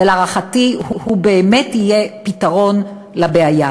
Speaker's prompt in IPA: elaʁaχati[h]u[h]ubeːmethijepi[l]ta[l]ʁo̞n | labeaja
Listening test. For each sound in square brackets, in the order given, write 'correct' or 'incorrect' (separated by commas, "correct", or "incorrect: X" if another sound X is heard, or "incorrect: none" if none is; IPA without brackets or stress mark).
correct, correct, incorrect: none, incorrect: none